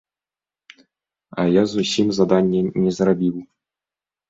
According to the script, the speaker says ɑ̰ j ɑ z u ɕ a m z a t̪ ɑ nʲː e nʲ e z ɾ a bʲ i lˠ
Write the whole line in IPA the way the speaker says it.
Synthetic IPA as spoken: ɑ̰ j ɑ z u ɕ i m z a d̪ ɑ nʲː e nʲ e z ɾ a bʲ i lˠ